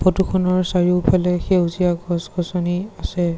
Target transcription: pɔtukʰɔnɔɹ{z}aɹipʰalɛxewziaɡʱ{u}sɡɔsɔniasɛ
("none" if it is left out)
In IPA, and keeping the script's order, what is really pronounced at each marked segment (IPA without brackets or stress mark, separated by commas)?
s, ɔ